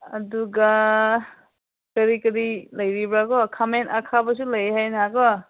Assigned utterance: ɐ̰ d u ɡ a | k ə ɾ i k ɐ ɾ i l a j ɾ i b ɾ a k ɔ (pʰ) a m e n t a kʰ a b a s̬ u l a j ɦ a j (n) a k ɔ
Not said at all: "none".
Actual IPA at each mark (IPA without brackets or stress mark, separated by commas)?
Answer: kʰ, n